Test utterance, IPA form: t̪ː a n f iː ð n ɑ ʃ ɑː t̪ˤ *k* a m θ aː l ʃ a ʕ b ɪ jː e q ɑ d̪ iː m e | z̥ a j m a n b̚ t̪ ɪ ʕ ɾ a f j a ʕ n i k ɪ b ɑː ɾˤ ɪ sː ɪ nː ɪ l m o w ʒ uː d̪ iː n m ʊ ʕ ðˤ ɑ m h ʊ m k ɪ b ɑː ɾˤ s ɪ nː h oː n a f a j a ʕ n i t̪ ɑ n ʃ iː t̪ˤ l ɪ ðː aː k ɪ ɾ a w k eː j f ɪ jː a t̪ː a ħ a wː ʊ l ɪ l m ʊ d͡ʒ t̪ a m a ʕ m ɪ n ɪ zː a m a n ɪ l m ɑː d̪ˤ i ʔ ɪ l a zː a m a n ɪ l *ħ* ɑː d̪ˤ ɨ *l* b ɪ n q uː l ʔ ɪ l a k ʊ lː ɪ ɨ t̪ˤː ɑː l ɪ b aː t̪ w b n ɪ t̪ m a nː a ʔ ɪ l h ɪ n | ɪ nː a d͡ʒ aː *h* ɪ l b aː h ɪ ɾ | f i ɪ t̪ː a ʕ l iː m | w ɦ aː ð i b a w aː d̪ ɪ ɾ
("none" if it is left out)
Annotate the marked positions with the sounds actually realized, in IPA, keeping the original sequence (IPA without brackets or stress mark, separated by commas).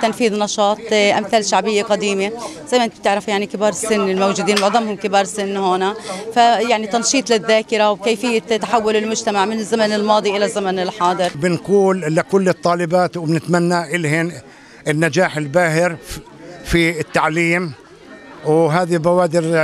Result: ʔ, ħ, ɾ, ħ